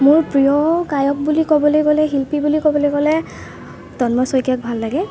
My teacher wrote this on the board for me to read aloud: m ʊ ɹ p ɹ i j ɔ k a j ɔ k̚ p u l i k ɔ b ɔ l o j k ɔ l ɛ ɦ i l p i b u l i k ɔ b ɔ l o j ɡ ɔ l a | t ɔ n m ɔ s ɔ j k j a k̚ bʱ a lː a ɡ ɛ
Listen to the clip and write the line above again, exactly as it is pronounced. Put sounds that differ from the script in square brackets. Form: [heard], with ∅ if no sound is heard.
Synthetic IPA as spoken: m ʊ ɹ p ɹ i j ɔ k a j ɔ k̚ [b] u l i k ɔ b ɔ l o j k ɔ l ɛ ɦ i l p i b u l i k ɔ b ɔ l o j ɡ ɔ l [ɛ] | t ɔ n m ɔ s ɔ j k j a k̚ bʱ a lː a ɡ ɛ